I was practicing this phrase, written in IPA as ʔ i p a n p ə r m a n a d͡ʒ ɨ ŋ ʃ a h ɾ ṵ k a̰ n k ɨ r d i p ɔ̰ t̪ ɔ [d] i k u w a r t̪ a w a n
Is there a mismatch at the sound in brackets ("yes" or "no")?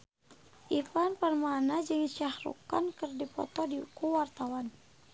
no